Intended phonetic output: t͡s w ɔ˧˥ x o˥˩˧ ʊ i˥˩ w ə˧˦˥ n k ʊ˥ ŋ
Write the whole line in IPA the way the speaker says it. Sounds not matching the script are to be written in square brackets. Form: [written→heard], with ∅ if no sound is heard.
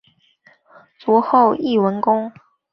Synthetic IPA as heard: t͡s w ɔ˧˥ x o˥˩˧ ʊ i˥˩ w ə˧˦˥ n k ʊ˥ ŋ

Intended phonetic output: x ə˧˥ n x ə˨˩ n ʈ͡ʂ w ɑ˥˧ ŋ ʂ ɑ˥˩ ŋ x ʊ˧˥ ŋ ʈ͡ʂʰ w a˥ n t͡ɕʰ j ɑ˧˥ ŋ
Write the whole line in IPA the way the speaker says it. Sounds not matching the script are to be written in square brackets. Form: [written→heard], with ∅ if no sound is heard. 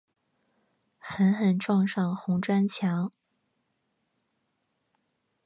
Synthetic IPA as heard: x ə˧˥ n x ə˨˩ n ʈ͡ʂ w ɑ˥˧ ŋ ʂ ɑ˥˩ ŋ x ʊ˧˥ ŋ [ʈ͡ʂʰ→ʈ͡ʂ] w a˥ n t͡ɕʰ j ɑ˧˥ ŋ

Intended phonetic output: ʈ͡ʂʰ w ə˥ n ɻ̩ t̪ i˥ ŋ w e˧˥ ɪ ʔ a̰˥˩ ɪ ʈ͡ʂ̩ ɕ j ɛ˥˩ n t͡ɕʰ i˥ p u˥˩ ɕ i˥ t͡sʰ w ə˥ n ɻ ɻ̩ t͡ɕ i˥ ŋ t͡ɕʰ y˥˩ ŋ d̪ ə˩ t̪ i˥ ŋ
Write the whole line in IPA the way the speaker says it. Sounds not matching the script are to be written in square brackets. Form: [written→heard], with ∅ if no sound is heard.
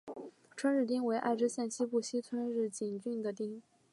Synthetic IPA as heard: ʈ͡ʂʰ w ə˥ n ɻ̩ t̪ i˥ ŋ w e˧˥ ɪ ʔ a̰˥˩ ɪ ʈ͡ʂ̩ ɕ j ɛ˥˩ n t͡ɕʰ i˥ p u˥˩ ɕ i˥ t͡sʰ w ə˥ n ɻ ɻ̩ t͡ɕ [i˥→i˨˩] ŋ [t͡ɕʰ→t͡ɕ] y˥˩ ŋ d̪ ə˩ t̪ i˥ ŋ

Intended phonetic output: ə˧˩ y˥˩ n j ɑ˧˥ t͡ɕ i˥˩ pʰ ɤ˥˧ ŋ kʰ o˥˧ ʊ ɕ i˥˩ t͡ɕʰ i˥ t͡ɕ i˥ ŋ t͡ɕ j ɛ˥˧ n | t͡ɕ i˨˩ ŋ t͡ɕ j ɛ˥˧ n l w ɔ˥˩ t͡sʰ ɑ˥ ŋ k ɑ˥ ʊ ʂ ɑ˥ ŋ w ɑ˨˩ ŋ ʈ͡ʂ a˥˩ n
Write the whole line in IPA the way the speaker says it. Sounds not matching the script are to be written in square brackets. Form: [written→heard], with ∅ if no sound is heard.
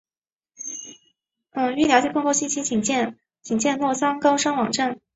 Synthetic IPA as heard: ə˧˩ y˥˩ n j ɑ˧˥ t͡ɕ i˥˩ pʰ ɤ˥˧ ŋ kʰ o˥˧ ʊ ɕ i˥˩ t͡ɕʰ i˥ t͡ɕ [i˥→i˨˩] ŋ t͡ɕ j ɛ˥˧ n | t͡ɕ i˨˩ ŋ t͡ɕ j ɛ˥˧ n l w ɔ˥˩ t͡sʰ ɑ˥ ŋ k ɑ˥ ʊ ʂ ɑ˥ ŋ w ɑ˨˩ ŋ ʈ͡ʂ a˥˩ n

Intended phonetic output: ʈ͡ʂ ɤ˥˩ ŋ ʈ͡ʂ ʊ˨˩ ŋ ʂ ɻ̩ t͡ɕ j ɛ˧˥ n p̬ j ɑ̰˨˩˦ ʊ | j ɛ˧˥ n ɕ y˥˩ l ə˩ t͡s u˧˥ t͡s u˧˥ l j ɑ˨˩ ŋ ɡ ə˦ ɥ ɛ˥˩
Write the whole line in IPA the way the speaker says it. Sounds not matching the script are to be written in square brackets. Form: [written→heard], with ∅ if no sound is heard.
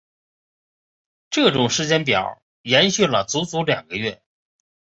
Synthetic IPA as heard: ʈ͡ʂ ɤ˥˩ [ŋ→∅] ʈ͡ʂ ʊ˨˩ ŋ ʂ ɻ̩ t͡ɕ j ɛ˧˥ n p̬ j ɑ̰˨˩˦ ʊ | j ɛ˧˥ n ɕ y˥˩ l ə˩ t͡s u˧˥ t͡s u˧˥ l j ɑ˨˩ ŋ ɡ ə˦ ɥ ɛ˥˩

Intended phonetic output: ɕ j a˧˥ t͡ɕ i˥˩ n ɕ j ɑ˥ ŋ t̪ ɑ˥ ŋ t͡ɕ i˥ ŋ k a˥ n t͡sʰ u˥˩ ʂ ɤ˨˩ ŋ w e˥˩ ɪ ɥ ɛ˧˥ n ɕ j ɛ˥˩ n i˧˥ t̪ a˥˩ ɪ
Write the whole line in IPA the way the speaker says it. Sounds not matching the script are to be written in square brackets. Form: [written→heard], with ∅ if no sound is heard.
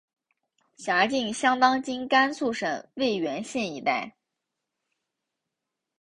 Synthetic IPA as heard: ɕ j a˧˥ t͡ɕ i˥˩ [n→ŋ] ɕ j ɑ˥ ŋ t̪ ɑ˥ ŋ t͡ɕ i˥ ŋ k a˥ n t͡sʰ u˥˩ ʂ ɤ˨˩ ŋ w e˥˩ ɪ ɥ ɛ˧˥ n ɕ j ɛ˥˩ n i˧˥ t̪ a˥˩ ɪ

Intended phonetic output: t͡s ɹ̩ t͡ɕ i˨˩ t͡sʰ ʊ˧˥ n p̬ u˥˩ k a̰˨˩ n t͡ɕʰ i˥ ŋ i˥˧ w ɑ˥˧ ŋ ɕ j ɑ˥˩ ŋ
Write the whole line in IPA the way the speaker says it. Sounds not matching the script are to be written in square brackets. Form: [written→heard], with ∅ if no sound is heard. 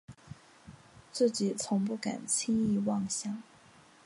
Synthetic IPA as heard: t͡s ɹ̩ t͡ɕ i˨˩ t͡sʰ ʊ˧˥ [n→ŋ] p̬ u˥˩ k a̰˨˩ n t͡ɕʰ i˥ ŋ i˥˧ w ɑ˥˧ ŋ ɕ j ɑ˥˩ ŋ

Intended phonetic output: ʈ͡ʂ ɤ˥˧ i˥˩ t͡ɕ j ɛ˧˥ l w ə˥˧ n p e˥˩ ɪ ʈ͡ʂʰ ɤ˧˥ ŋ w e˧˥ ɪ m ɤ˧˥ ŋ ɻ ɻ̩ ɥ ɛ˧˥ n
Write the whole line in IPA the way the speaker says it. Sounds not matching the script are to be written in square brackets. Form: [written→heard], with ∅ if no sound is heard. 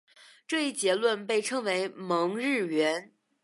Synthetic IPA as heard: ʈ͡ʂ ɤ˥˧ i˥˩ t͡ɕ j ɛ˧˥ l w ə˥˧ n p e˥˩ ɪ ʈ͡ʂʰ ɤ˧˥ ŋ w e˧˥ ɪ m ɤ˧˥ ŋ ɻ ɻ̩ ɥ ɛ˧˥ n

